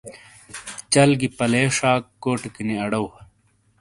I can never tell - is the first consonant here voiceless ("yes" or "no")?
yes